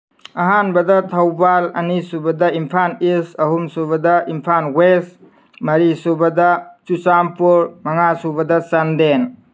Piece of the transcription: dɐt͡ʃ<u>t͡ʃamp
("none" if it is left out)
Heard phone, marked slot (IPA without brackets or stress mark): u